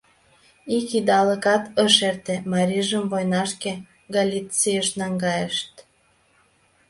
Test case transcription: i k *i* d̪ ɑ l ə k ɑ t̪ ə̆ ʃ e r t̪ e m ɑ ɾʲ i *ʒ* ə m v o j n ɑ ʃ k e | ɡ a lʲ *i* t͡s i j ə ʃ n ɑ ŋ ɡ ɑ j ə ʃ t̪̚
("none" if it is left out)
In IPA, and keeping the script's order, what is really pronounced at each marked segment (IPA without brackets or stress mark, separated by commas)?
i, ʒ, i